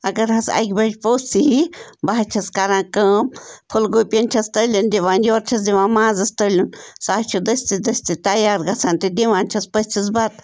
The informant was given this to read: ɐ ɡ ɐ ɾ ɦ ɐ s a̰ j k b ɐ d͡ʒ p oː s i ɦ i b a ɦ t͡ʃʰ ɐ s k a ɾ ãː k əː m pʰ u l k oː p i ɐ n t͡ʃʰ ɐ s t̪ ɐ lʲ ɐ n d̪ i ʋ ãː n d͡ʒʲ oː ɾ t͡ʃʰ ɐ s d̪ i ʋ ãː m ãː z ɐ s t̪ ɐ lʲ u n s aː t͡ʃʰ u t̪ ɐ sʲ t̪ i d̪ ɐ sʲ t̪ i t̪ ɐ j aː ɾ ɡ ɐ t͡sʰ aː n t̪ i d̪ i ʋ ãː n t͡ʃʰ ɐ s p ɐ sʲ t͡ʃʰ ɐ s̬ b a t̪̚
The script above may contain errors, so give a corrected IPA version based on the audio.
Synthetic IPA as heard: ɐ ɡ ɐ ɾ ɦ ɐ s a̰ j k b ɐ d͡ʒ p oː s i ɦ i b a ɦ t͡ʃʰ ɐ s k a ɾ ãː k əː m pʰ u l ɡ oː p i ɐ n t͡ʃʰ ɐ s t̪ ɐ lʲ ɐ n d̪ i ʋ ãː n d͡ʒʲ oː ɾ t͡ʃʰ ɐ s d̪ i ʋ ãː m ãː z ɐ s t̪ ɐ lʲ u n s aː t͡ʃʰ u d̪ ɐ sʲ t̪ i d̪ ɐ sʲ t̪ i t̪ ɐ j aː ɾ ɡ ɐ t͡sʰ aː n t̪ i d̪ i ʋ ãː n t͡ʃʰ ɐ s p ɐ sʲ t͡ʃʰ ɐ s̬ b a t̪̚